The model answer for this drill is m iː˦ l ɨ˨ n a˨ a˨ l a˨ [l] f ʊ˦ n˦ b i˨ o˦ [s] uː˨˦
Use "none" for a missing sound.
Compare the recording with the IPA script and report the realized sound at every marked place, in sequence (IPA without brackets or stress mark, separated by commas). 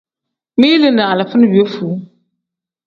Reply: none, f